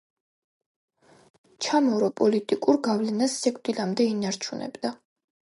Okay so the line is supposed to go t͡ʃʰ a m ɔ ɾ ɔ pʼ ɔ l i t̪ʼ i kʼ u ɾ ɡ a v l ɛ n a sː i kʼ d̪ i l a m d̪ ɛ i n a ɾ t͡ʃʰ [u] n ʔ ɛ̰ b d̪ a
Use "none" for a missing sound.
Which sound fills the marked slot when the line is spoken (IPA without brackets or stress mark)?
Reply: u